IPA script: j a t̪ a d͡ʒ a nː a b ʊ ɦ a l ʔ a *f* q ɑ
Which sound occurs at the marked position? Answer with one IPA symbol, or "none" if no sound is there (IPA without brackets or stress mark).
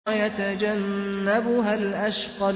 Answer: ʃ